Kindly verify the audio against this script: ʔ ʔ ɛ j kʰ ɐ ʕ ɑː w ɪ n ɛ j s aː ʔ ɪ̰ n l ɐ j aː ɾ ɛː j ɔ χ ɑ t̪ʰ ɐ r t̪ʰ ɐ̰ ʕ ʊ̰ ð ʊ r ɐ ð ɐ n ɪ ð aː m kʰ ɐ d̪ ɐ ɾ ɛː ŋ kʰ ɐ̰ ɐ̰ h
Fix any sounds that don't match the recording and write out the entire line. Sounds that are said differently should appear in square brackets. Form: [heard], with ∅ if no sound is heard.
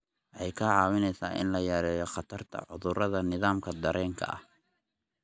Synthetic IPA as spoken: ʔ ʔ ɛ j kʰ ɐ ʕ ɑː w ɪ n ɛ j s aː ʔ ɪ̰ n l ɐ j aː ɾ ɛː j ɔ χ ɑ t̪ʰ ɐ r t̪ʰ ɐ̰ ʕ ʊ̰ ð ʊ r ɐ ð ɐ n ɪ ð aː m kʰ ɐ d̪ ɐ ɾ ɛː ŋ kʰ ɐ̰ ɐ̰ h